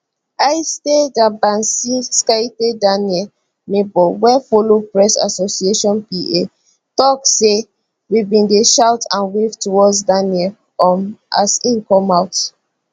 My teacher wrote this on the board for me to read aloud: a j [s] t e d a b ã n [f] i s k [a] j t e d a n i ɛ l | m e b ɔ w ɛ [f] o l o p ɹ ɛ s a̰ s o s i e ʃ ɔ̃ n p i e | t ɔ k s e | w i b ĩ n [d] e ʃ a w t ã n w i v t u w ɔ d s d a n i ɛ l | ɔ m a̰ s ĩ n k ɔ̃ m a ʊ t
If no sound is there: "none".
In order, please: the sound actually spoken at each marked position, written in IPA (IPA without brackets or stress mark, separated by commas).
s, s, a, f, d